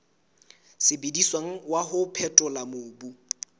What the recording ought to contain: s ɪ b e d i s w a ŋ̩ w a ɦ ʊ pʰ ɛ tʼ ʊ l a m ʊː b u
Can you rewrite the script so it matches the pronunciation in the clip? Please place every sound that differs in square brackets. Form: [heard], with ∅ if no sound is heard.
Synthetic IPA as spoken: s ɪ b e d i s w a ŋ̩ w a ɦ ʊ pʰ ɛ tʼ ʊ l a m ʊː b u